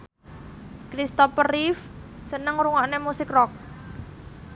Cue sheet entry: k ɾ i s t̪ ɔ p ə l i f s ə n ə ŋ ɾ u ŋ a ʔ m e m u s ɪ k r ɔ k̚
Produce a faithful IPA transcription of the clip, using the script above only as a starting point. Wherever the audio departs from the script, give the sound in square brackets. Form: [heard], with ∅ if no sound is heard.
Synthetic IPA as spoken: k ɾ i s t̪ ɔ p ə [r] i f s ə n ə ŋ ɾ u ŋ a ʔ [n] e m u s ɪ k r ɔ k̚